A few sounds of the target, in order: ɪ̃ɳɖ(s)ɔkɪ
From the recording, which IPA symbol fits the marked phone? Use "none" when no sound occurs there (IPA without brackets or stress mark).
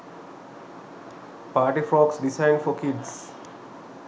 f